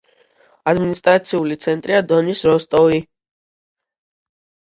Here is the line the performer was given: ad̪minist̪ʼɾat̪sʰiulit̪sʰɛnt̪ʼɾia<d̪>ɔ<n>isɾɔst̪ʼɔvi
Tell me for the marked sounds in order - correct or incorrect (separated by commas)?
correct, correct